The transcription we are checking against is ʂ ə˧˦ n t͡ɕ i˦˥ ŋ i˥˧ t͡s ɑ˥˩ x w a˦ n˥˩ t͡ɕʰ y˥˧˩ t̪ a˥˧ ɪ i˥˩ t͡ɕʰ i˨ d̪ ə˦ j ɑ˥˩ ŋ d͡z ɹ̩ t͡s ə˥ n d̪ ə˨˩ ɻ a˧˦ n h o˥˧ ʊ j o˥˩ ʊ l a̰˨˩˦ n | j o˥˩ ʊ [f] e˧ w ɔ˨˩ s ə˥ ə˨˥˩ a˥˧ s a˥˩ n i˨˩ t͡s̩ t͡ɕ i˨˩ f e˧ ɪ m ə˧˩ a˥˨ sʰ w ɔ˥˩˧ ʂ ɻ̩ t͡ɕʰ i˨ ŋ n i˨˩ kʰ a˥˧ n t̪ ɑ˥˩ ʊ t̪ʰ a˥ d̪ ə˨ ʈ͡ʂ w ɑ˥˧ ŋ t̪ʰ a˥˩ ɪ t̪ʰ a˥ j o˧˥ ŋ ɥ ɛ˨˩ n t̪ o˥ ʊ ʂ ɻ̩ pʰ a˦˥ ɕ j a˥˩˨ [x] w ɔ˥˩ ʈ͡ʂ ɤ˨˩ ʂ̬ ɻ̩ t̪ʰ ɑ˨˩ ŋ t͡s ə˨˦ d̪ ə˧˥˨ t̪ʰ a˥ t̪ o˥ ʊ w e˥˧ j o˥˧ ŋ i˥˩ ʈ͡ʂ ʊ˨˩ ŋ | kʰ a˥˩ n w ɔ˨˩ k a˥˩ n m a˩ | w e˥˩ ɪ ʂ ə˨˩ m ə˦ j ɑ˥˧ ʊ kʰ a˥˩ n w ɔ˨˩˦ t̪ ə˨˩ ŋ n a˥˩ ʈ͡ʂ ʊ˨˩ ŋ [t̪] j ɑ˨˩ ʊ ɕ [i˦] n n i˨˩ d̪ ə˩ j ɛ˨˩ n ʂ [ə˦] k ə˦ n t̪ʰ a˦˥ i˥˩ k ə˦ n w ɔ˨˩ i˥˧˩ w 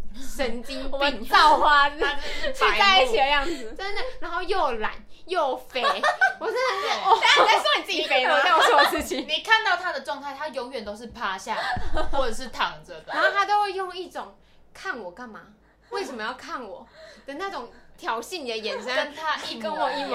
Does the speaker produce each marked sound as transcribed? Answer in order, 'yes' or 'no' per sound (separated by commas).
yes, yes, no, no, yes